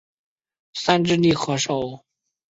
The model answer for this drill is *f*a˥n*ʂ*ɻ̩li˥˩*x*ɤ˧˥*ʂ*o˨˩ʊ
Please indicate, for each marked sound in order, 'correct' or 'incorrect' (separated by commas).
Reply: incorrect, incorrect, correct, correct